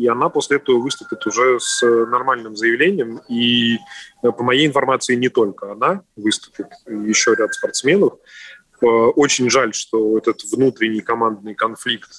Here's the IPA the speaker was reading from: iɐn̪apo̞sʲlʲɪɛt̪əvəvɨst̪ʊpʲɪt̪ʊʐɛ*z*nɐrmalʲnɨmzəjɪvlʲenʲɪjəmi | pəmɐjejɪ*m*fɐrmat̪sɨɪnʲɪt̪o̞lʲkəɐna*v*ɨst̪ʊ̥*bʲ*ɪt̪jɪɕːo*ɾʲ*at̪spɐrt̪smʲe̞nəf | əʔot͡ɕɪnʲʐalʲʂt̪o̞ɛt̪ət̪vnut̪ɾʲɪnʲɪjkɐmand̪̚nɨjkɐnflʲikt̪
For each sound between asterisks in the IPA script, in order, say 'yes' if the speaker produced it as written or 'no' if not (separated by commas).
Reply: no, no, yes, no, yes